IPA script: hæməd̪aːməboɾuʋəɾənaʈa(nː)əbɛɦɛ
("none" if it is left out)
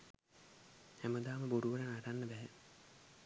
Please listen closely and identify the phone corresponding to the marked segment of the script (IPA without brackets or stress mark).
nː